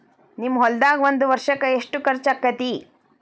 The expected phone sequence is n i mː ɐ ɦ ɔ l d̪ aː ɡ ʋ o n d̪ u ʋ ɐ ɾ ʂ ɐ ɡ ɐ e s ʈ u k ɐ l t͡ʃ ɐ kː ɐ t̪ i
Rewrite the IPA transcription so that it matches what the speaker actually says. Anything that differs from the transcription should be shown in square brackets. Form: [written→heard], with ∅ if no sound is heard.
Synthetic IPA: n i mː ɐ ɦ ɔ l d̪ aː ɡ ʋ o n d̪ u ʋ ɐ ɾ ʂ ɐ [ɡ→k] ɐ e [s→ʂ] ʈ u k ɐ [l→ɾ] t͡ʃ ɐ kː ɐ t̪ i